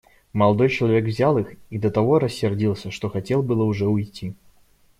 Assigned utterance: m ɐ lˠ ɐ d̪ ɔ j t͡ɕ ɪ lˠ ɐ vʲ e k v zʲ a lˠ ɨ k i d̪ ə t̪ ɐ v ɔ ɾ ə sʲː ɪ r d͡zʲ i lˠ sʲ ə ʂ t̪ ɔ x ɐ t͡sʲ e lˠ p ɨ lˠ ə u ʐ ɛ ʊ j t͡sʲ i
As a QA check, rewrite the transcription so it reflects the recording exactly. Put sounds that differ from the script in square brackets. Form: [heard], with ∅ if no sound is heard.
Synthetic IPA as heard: m ɐ lˠ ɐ d̪ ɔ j t͡ɕ ɪ lˠ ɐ vʲ e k v zʲ a lˠ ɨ [x] i d̪ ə t̪ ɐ v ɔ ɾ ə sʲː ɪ r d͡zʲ i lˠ sʲ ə ʂ t̪ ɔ x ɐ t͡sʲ e lˠ [b] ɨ lˠ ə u ʐ ɛ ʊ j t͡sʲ i